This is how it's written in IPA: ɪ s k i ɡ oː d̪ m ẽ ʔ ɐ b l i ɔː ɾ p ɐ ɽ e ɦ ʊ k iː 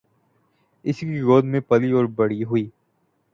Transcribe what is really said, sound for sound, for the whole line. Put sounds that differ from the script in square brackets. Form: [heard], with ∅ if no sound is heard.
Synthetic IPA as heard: ɪ s k i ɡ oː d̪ m ẽ [p] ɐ [∅] l i ɔː ɾ [b] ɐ ɽ [i] ɦ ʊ [∅] iː